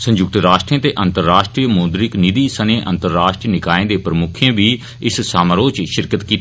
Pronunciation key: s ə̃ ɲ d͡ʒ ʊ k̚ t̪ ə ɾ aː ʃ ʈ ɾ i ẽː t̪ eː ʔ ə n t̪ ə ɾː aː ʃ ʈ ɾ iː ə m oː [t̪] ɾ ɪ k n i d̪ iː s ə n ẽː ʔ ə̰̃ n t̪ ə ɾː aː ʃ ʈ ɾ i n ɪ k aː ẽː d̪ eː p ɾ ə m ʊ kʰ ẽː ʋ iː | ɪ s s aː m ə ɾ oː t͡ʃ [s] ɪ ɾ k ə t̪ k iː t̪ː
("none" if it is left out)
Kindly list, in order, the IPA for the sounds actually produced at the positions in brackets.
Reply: d̪, ʃ

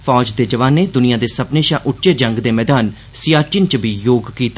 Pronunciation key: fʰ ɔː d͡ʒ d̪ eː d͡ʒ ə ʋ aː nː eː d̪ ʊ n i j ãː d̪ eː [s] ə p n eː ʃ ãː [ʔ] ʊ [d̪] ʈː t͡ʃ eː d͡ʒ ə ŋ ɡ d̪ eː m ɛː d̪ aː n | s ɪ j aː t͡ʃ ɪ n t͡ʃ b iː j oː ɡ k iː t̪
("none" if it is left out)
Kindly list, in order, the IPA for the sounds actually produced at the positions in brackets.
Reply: s, ʔ, none

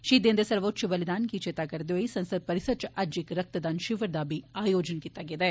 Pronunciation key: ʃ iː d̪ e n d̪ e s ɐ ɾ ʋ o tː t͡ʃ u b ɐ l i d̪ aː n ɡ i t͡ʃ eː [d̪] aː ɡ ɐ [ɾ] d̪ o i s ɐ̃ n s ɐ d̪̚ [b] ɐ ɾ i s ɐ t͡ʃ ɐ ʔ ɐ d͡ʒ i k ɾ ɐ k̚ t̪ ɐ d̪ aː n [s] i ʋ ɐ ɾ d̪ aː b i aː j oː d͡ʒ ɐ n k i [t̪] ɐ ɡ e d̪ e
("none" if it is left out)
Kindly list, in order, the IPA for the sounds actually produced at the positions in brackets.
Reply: t̪, ɾ, p, ʃ, t̪

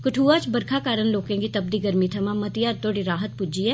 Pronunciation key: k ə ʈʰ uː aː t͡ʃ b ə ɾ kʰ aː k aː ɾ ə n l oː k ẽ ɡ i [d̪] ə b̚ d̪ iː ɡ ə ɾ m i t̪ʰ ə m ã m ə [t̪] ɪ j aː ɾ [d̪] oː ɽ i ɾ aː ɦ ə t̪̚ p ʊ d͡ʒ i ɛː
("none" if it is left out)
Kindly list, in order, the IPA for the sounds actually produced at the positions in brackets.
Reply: t̪, t̪, t̪

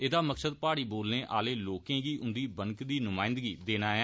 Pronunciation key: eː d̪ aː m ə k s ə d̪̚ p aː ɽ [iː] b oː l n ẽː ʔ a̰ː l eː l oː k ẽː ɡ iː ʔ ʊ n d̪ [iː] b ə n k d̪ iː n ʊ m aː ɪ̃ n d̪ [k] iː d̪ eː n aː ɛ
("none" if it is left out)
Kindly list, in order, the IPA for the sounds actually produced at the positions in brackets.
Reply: iː, iː, ɡ

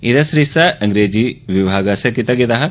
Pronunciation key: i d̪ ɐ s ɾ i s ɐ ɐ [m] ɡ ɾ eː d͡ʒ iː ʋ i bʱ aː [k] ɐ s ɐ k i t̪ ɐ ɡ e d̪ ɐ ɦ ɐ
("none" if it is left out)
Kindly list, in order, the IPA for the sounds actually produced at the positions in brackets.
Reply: ŋ, ɡ

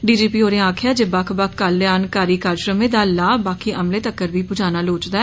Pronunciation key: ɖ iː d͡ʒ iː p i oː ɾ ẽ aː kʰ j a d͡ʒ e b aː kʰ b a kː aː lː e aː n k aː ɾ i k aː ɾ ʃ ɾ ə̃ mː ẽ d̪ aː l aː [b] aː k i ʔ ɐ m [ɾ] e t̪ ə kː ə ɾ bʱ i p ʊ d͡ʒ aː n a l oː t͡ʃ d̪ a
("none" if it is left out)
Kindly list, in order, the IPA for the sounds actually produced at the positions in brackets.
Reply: b, l

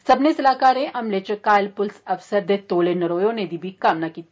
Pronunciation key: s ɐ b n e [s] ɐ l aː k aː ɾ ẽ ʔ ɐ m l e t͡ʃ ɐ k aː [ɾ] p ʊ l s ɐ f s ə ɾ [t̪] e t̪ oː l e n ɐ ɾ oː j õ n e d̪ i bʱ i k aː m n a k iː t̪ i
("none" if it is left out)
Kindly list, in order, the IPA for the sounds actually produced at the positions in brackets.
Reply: s, l, d̪

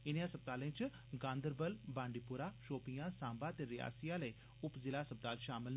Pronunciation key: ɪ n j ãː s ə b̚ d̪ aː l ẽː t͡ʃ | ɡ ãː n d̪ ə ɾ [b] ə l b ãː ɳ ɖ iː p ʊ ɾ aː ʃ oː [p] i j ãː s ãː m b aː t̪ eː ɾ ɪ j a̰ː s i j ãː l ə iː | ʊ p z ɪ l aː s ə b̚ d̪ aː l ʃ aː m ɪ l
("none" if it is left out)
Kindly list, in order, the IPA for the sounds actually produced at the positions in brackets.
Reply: b, p

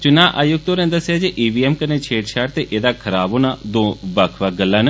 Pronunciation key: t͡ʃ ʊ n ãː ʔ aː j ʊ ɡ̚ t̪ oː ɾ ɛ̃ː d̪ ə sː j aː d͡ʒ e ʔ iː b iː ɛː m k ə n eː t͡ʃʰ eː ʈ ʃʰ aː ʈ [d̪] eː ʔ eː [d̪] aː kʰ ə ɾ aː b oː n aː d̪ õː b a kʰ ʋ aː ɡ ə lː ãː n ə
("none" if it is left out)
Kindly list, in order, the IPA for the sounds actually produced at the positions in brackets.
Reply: t̪, d̪

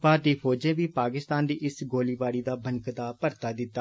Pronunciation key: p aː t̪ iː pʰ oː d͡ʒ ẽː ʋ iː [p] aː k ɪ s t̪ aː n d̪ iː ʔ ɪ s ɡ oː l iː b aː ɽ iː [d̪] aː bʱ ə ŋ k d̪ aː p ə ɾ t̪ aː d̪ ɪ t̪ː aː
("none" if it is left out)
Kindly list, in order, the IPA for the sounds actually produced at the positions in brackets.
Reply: p, d̪

